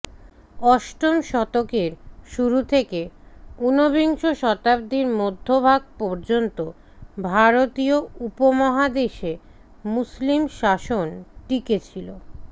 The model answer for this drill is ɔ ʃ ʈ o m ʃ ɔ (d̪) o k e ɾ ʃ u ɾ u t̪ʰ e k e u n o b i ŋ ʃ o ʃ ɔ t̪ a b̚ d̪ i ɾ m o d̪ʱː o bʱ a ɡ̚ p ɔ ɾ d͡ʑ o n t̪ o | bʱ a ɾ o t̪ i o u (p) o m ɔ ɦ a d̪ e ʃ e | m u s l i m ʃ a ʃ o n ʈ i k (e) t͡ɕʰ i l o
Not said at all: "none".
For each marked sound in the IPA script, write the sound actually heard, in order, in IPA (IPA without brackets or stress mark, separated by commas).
t̪, p, e